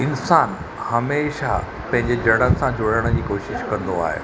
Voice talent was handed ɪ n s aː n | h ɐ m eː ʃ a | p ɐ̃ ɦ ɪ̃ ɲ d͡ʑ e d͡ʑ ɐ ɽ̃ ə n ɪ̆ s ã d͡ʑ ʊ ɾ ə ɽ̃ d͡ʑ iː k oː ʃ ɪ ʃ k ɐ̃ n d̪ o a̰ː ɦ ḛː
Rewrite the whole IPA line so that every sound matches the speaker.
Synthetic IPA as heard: ɪ n s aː n | h ɐ m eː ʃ a | p ɐ̃ ɦ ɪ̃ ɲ d͡ʑ e d͡ʑ ɐ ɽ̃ ə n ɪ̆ s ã d͡ʑ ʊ ɽ ə ɽ̃ d͡ʑ iː k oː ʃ ɪ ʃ k ɐ̃ n d̪ o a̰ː ɦ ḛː